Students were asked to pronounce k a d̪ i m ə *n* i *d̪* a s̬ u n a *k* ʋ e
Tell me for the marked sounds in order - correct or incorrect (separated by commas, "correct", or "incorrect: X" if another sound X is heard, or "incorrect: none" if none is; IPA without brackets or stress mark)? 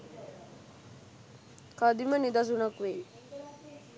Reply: correct, correct, correct